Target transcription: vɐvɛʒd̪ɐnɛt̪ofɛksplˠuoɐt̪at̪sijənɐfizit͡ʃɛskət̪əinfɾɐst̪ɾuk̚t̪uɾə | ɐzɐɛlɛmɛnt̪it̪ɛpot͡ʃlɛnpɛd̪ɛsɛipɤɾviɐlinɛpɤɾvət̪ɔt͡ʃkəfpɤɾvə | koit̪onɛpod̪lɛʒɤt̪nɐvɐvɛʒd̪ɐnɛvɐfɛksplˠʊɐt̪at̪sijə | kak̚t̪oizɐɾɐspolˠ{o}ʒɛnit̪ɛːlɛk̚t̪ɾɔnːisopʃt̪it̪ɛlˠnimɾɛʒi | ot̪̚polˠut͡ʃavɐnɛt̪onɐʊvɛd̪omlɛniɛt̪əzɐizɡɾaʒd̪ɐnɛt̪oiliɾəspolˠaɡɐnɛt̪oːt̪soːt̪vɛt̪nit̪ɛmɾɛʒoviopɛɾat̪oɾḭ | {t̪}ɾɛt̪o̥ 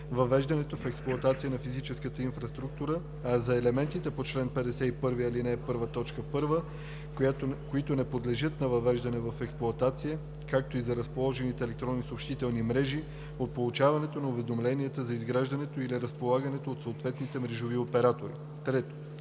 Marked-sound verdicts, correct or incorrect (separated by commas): incorrect, correct